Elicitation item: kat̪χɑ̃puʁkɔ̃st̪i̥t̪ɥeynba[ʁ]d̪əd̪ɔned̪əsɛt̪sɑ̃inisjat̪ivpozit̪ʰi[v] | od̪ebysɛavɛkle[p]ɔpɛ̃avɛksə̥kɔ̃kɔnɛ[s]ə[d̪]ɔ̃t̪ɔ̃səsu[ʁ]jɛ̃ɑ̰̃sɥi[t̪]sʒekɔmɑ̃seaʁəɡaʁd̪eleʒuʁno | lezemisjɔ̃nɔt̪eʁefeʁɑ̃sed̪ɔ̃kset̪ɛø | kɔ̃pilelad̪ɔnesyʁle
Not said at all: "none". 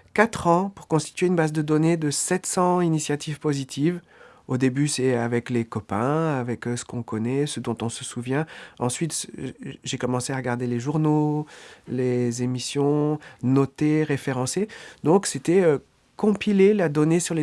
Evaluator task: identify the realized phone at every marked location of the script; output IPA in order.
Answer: z, v, k, s, d̪, v, t̪

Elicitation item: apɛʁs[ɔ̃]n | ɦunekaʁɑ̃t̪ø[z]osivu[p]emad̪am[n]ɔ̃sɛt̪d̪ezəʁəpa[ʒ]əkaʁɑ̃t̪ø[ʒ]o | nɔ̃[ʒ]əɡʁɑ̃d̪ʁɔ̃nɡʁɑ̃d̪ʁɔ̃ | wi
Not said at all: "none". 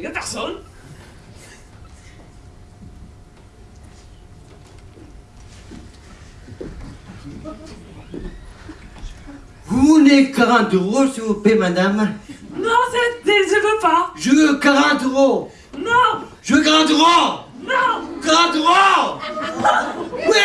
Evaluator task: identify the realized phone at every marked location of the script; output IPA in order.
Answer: ɔ, ʁ, p, n, ʒ, ʁ, ʒ

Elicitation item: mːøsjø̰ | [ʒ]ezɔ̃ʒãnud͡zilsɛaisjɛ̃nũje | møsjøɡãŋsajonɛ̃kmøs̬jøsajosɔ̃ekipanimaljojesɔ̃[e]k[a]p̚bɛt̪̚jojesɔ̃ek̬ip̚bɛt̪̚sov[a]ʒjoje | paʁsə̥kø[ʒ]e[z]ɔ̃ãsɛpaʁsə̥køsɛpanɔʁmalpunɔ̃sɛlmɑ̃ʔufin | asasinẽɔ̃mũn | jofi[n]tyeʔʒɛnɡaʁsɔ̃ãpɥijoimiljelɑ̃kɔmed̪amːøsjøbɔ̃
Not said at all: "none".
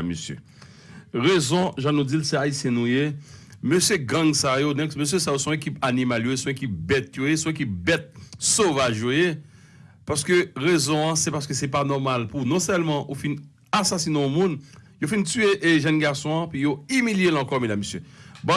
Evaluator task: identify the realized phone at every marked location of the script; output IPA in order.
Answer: ʁ, e, i, a, ʁ, z, n

